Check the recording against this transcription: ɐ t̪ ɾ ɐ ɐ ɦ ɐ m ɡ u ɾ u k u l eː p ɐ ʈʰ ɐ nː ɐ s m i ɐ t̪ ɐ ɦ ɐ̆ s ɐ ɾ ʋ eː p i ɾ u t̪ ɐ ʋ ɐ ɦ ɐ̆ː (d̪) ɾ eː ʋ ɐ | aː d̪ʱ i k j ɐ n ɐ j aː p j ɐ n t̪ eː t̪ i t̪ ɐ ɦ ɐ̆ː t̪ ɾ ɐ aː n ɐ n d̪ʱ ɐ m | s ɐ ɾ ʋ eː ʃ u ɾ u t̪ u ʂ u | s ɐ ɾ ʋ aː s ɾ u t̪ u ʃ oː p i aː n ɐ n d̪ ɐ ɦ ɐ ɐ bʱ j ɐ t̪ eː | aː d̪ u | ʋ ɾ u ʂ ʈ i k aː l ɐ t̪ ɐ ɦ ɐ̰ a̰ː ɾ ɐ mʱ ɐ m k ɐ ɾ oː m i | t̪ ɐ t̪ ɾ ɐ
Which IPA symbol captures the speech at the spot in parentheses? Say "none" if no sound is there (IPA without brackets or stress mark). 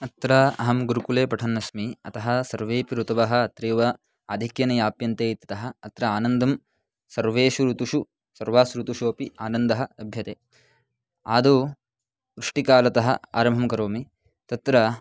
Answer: t̪